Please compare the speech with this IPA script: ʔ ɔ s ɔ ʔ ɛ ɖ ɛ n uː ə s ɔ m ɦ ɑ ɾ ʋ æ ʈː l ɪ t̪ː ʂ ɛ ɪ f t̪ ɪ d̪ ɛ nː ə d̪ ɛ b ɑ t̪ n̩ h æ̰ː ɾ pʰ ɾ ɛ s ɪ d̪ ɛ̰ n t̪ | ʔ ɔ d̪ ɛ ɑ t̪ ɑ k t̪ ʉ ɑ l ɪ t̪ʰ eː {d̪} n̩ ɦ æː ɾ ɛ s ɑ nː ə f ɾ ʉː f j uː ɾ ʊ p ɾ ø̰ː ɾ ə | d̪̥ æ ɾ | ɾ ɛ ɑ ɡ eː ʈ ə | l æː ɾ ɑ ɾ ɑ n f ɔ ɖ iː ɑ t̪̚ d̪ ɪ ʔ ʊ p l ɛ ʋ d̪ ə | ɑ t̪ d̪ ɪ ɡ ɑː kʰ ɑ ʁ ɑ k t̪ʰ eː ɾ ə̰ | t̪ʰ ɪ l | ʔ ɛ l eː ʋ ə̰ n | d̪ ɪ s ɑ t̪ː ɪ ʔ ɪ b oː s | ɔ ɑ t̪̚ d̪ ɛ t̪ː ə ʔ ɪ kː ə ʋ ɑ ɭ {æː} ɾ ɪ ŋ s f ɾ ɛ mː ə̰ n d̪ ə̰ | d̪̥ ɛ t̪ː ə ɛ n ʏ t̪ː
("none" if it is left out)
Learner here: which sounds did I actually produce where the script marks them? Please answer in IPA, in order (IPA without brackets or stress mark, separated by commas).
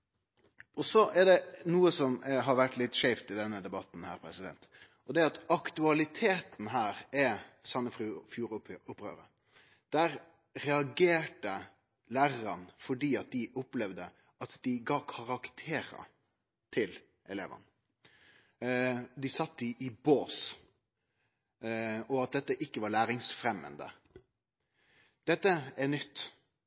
t̪, æː